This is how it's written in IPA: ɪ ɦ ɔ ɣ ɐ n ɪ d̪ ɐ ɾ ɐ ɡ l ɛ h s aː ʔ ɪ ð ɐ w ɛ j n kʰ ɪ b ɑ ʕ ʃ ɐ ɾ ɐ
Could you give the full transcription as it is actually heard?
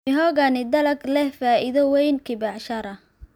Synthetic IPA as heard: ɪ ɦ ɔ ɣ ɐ n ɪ d̪ ɐ l ɐ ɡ l ɛ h f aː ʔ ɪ ð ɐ w ɛ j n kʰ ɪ b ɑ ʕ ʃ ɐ ɾ ɐ